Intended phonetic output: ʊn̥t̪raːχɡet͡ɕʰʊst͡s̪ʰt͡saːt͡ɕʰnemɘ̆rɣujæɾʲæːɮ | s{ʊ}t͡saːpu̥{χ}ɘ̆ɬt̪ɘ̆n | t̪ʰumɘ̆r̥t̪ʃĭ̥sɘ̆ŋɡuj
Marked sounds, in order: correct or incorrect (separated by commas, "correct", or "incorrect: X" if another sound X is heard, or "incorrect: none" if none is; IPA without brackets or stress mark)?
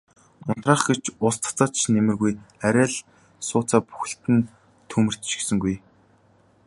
incorrect: ʊː, incorrect: x